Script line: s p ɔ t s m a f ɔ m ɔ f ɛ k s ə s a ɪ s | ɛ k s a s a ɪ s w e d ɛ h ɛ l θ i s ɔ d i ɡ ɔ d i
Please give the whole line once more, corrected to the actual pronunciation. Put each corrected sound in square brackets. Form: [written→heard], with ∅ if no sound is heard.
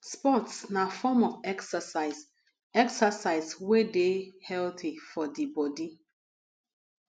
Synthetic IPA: s p ɔ t s [m→n] a f ɔ m ɔ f ɛ k s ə s a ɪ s | ɛ k s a s a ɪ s w e d [ɛ→e] h ɛ l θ i [s→f] ɔ d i [ɡ→b] ɔ d i

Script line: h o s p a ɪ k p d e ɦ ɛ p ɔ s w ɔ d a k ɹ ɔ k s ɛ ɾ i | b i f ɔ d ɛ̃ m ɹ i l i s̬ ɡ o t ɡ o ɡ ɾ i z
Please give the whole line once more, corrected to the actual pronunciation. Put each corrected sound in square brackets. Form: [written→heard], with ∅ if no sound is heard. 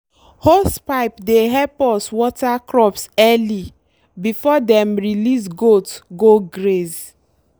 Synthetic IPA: h o s p a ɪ [k→∅] p d e ɦ ɛ p ɔ s w ɔ [d→t] a k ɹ ɔ [k→p] s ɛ [ɾ→l] i | b i f ɔ d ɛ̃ m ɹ i l i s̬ ɡ o t ɡ o ɡ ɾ [i→e] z

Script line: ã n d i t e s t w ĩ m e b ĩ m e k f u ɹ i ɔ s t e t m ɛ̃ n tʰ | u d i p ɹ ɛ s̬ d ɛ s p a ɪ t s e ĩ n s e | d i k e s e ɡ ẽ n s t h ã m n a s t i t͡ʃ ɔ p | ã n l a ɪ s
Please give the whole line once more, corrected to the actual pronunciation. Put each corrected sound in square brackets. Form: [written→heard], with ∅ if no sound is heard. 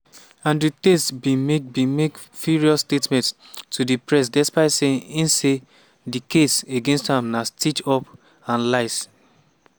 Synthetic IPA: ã n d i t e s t [w→b] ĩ m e b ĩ m e k f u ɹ i ɔ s t e t m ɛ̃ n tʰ | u d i p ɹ ɛ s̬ d ɛ s p a ɪ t s e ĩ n s e | d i k e s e ɡ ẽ n s t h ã m n a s t i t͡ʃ ɔ p | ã n l a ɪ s

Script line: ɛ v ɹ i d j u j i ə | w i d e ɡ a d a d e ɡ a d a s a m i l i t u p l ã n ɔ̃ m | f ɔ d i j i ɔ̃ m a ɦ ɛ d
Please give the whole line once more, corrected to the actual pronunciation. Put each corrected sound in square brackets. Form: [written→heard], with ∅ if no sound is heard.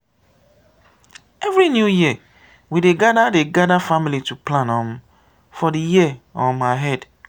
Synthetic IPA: ɛ v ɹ i [d→n] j u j i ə | w i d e ɡ a d a d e ɡ a d a [s→f] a m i l i t u p l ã n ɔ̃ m | f ɔ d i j i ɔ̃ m a ɦ ɛ d

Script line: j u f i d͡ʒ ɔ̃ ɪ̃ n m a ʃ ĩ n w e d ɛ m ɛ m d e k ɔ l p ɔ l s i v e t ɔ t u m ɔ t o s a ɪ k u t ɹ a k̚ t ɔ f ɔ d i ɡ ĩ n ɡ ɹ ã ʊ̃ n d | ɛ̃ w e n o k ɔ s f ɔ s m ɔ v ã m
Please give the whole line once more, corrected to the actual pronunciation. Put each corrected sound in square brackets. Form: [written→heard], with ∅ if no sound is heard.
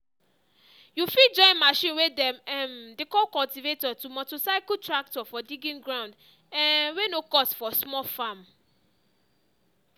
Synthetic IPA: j u f i d͡ʒ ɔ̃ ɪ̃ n m a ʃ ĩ n w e d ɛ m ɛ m d e k ɔ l [p→k] ɔ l [s→t] i v e t ɔ t u m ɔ t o s a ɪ k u t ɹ a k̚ t ɔ f ɔ d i ɡ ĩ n ɡ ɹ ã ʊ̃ n d | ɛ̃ w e n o k ɔ s f ɔ s m ɔ [v→f] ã m

